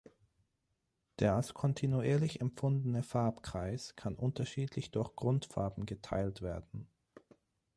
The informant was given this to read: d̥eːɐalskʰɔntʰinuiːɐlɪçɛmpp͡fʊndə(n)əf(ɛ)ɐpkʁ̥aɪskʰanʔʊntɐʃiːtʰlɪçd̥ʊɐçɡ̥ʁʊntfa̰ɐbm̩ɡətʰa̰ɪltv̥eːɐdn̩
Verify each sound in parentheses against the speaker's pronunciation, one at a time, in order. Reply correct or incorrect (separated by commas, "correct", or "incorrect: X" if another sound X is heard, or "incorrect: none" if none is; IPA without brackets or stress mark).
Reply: correct, incorrect: a